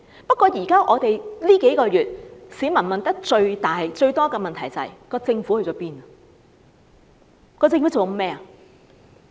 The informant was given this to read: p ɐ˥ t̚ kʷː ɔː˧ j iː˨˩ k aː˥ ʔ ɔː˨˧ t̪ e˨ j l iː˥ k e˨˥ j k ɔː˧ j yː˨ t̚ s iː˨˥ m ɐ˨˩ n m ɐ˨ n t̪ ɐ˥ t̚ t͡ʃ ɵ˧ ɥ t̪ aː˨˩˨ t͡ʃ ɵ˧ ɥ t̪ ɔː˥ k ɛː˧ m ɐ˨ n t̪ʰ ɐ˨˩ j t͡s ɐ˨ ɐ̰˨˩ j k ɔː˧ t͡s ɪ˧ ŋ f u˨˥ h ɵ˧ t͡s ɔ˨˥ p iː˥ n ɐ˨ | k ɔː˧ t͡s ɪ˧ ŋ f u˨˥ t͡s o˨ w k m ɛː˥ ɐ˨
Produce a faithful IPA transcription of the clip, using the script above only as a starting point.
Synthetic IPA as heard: p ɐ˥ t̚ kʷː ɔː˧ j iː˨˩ k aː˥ ʔ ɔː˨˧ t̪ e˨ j l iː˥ k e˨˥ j k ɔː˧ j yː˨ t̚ s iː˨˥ m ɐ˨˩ n m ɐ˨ n t̪ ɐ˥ k̚ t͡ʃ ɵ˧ ɥ t̪ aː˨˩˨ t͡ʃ ɵ˧ ɥ t̪ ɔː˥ k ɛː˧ m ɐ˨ n t̪ʰ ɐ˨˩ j t͡s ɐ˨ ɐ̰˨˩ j k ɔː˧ t͡s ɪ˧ ŋ f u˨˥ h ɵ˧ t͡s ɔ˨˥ p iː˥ n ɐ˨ | k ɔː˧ t͡s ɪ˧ ŋ f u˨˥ t͡s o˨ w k m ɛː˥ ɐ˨